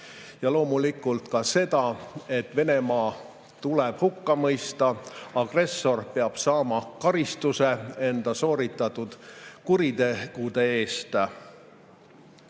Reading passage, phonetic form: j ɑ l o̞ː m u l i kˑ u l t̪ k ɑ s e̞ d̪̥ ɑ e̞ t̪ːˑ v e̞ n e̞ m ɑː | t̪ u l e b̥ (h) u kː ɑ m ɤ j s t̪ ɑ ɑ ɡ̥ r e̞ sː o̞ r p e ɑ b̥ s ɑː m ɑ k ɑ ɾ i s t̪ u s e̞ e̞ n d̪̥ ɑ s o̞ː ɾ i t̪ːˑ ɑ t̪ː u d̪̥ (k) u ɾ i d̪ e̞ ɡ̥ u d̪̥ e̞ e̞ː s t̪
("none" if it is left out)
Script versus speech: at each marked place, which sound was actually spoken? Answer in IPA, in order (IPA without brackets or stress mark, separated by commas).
h, k